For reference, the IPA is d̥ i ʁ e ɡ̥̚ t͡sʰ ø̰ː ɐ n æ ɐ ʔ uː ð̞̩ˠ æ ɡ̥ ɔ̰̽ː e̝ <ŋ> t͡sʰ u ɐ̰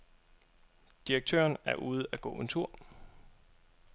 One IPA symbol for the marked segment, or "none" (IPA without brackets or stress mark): n